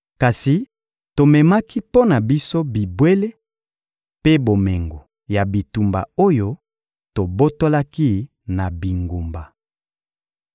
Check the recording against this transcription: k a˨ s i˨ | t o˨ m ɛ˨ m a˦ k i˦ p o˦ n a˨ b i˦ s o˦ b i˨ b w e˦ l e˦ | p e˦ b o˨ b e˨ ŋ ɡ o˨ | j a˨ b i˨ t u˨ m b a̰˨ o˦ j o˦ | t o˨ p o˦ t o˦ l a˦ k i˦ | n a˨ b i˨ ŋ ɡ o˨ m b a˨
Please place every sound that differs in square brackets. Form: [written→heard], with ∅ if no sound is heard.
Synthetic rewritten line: k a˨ s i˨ | t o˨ m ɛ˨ m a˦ k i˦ p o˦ n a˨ b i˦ s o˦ b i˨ b w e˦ l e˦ | p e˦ b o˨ [b→m] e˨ ŋ ɡ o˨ | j a˨ b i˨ t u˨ m b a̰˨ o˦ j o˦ | t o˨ [p→b] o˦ t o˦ l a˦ k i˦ | n a˨ b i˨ ŋ ɡ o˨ m b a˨